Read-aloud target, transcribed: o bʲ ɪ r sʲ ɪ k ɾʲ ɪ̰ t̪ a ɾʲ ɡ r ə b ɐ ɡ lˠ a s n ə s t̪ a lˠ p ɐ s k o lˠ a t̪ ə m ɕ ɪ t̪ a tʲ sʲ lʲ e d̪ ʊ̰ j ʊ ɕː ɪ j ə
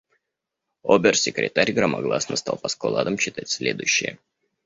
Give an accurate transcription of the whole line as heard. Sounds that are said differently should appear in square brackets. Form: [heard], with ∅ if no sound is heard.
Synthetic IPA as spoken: o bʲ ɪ r sʲ ɪ k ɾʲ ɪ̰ t̪ a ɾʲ ɡ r ə [m] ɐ ɡ lˠ a s n ə s t̪ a lˠ p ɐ s k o lˠ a [d̪] ə m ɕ ɪ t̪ a tʲ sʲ lʲ e d̪ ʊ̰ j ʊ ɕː ɪ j ə